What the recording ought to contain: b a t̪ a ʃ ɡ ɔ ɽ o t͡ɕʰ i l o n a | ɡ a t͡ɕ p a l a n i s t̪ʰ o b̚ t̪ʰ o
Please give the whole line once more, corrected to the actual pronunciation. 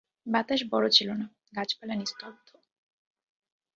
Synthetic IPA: b a t̪ a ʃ b ɔ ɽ o t͡ɕʰ i l o n a | ɡ a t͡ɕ p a l a n i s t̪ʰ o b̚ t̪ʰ o